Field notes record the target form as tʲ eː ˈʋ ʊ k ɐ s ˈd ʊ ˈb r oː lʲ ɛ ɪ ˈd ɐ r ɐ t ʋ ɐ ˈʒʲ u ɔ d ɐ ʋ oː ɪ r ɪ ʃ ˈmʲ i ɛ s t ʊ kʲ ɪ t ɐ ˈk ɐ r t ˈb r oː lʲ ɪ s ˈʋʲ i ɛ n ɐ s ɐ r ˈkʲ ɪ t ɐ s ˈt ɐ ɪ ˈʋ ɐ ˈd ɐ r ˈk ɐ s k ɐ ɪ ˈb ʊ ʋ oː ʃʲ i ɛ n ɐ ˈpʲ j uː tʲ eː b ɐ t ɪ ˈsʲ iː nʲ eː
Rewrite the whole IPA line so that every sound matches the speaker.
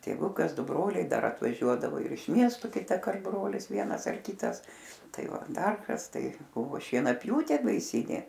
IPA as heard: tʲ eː ˈʋ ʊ k ɐ s ˈd ʊ ˈb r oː lʲ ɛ ɪ ˈd ɐ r ɐ t ʋ ɐ ˈʒʲ u ɔ d ɐ ʋ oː ɪ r ɪ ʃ ˈmʲ i ɛ s t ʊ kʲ ɪ t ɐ ˈk ɐ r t ˈb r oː lʲ ɪ s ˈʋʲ i ɛ n ɐ s ɐ r ˈkʲ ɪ t ɐ s ˈt ɐ ɪ ˈʋ ɐ ˈd ɐ r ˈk ɐ s t ɐ ɪ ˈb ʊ ʋ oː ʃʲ i ɛ n ɐ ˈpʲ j uː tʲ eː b ɐ ɪ ˈsʲ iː nʲ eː